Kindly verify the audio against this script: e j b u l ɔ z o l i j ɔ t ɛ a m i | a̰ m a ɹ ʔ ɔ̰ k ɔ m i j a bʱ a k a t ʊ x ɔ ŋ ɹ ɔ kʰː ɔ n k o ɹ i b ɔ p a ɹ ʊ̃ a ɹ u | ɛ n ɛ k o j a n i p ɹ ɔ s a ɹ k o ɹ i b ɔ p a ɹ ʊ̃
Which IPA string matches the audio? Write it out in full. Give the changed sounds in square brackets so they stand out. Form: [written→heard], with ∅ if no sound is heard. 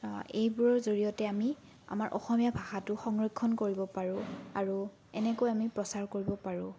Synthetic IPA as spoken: e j b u [l→ɹ] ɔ z o [l→ɹ] i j ɔ t ɛ a m i | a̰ m a ɹ ʔ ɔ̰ [k→x] ɔ m i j a bʱ a [k→x] a t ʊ x ɔ ŋ ɹ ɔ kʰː ɔ n k o ɹ i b ɔ p a ɹ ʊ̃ a ɹ u | ɛ n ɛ k o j a [n→m] i p ɹ ɔ s a ɹ k o ɹ i b ɔ p a ɹ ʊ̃